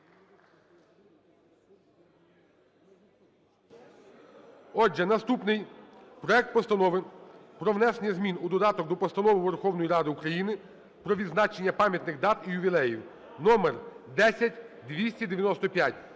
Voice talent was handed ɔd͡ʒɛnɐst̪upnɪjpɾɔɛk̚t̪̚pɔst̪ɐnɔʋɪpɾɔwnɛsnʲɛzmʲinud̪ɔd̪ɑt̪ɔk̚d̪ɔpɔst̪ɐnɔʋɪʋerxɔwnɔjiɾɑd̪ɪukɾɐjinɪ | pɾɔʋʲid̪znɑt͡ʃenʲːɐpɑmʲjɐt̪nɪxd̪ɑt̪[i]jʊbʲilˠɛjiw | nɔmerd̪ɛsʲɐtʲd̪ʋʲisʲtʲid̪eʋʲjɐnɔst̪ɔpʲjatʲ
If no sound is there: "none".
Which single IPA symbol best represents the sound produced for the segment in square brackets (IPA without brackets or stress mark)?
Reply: i